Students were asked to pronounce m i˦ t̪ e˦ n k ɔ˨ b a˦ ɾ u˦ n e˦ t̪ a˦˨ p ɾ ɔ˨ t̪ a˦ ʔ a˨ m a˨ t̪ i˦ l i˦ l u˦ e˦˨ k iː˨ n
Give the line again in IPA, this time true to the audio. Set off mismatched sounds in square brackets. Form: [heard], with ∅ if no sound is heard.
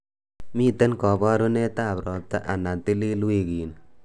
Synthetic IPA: m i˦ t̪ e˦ n k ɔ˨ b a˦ ɾ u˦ n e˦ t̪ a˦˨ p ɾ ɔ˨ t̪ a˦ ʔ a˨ [n] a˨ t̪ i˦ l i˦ l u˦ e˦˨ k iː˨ n